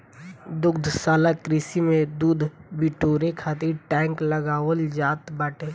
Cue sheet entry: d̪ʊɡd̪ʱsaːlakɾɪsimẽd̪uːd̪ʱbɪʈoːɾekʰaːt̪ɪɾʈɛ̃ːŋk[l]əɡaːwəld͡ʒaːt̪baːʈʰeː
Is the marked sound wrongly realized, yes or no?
no